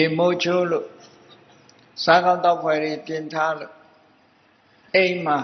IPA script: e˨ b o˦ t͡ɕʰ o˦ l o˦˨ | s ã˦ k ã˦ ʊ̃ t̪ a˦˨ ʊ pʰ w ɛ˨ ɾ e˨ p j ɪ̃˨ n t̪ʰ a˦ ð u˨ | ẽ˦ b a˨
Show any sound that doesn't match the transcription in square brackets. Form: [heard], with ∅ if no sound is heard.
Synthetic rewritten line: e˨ [m] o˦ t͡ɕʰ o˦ l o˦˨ | s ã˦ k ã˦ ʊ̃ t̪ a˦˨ ʊ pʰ w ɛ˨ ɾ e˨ p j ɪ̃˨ n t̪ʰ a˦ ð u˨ | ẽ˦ [m] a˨

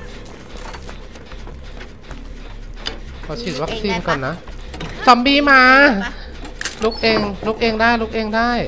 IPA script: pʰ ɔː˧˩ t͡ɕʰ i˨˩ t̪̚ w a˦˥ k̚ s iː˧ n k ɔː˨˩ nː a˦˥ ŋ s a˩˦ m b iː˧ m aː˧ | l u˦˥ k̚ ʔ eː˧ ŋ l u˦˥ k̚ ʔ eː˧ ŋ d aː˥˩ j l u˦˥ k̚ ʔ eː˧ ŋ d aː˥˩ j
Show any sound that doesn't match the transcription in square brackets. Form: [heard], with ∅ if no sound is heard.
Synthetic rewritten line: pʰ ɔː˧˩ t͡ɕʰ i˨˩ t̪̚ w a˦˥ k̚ s iː˧ n k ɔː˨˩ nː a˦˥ [∅] s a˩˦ m b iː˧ m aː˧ | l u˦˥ k̚ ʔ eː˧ ŋ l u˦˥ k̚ ʔ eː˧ ŋ d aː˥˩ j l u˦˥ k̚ ʔ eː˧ ŋ d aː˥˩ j

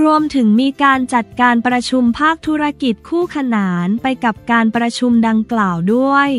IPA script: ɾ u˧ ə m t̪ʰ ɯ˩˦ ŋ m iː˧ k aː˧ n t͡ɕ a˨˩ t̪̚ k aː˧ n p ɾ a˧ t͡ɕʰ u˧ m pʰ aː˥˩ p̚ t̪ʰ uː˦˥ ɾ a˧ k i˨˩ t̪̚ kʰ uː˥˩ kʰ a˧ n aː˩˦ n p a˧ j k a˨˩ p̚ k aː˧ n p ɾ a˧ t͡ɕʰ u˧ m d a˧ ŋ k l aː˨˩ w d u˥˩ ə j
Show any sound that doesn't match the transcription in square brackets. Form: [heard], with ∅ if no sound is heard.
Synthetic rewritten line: ɾ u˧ ə m t̪ʰ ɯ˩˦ ŋ m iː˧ k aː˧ n t͡ɕ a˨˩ t̪̚ k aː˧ n p ɾ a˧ t͡ɕʰ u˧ m pʰ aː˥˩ [k̚] t̪ʰ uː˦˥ ɾ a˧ k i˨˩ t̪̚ kʰ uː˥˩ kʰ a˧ n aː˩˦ n p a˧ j k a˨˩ p̚ k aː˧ n p ɾ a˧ t͡ɕʰ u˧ m d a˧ ŋ k l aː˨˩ w d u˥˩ ə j

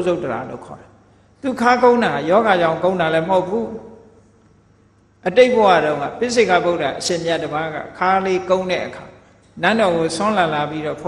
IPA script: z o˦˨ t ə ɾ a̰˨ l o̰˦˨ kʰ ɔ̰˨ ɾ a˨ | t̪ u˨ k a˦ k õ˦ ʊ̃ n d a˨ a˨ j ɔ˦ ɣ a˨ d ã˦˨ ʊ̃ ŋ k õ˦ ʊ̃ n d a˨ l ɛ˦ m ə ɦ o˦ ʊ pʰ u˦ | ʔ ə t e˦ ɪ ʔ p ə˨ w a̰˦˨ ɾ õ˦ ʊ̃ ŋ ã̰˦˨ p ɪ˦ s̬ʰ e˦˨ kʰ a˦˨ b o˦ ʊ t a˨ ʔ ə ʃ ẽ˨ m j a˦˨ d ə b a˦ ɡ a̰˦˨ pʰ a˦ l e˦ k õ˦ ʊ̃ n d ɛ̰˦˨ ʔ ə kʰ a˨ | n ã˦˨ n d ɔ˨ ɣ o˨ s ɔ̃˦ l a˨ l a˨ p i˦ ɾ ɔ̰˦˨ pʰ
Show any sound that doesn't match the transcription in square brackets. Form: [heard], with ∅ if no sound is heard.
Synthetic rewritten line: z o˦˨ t ə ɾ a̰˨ l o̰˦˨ kʰ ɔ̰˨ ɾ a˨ | t̪ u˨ [kʰ] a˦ k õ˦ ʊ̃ n d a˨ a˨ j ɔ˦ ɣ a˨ [d͡ʑ] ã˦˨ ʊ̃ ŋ k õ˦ ʊ̃ n d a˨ l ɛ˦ m ə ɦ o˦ ʊ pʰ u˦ | ʔ ə t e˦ ɪ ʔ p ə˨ w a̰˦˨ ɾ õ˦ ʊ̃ ŋ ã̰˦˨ p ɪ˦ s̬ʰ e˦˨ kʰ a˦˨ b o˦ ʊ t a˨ ʔ ə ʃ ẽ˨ m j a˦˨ d ə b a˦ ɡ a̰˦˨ [kʰ] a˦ l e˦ k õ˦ ʊ̃ n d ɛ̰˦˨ ʔ ə kʰ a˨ | n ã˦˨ n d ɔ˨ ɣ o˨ s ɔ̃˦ l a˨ l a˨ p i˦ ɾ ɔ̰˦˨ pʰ

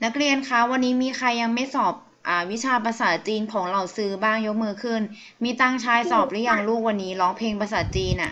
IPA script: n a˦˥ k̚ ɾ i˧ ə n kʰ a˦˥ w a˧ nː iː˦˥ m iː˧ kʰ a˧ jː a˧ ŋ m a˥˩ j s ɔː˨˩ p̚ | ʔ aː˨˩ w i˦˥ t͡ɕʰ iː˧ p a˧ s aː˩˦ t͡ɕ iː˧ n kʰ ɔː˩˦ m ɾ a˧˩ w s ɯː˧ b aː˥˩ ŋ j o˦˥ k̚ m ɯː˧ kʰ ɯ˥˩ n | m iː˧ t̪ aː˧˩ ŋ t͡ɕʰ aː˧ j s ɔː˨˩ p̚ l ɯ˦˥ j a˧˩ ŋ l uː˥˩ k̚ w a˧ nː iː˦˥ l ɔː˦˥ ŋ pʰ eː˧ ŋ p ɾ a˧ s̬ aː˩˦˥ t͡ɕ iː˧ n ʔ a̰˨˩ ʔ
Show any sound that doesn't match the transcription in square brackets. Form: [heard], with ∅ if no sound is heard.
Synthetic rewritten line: n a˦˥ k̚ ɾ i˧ ə n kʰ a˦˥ w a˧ nː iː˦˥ m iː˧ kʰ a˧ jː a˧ ŋ m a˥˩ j s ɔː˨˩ p̚ | ʔ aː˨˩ w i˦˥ t͡ɕʰ [aː˧] p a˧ s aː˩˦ t͡ɕ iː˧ n kʰ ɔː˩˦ [ŋ] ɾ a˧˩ w s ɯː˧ b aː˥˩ ŋ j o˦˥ k̚ m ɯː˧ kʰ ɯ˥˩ n | m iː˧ t̪ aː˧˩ ŋ t͡ɕʰ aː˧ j s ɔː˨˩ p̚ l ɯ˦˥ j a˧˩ ŋ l uː˥˩ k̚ w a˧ nː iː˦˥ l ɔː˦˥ ŋ pʰ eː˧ ŋ p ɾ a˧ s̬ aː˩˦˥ t͡ɕ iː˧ n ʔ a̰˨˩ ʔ

